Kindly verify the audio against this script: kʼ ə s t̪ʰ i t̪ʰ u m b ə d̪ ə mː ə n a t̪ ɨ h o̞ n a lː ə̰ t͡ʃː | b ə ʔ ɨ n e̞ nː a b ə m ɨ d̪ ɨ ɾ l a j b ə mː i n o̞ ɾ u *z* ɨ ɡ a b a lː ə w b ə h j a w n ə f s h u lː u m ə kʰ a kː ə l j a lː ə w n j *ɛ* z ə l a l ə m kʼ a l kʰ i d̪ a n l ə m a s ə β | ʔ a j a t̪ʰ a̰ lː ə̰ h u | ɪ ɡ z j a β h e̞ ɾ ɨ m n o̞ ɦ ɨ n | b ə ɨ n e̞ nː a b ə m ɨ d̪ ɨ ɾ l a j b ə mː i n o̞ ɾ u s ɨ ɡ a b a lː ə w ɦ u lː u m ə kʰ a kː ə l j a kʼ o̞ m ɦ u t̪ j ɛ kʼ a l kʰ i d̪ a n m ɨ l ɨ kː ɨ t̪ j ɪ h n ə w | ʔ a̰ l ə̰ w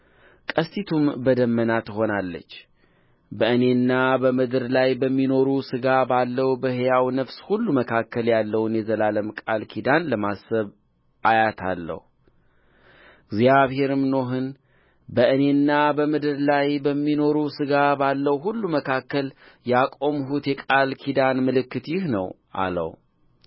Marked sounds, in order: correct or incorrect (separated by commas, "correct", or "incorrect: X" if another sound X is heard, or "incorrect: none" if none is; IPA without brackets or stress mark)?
incorrect: s, correct